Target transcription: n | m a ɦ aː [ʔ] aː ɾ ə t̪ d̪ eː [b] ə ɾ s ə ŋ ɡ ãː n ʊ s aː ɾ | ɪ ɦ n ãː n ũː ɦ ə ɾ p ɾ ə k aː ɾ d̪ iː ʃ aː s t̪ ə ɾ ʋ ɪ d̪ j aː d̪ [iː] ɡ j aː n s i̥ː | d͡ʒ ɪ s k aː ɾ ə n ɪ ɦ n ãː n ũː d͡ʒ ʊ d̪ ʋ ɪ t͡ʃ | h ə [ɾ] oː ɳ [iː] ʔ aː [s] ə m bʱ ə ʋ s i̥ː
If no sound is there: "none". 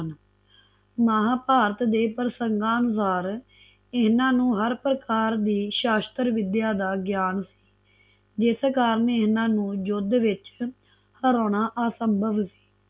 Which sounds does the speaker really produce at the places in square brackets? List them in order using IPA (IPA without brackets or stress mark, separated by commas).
p, p, aː, ɾ, aː, s